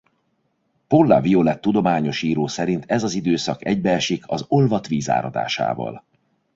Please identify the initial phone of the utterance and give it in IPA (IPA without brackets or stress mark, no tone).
p